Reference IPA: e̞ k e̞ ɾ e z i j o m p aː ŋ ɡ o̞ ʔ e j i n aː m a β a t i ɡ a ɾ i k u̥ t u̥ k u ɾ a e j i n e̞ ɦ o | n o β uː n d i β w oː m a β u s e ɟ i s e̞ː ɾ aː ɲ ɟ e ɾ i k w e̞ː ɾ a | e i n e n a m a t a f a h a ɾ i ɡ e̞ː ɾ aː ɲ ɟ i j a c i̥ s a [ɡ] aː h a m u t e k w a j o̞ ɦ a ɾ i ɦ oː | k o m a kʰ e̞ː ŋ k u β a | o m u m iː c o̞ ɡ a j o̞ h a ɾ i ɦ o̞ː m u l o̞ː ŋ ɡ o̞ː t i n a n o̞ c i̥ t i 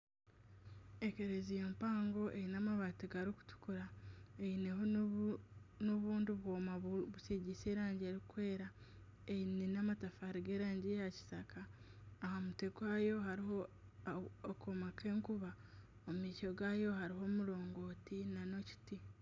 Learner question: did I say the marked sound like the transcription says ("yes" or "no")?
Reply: no